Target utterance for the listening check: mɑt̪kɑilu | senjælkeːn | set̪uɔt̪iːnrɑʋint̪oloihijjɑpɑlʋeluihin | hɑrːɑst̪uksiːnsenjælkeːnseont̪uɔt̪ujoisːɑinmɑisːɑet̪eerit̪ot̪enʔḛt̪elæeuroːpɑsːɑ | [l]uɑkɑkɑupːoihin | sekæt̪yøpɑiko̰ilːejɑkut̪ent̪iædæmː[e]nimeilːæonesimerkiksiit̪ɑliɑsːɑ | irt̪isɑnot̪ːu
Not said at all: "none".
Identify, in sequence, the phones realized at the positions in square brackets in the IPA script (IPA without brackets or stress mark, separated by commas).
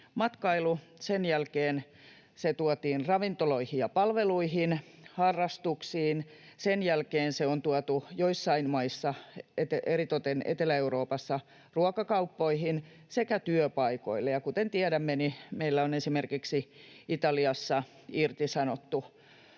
r, e